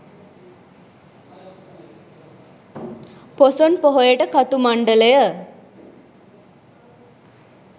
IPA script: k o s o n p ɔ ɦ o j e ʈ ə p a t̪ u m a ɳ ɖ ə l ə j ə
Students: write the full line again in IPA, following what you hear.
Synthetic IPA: p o s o n p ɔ ɦ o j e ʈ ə k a t̪ u m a ɳ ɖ ə l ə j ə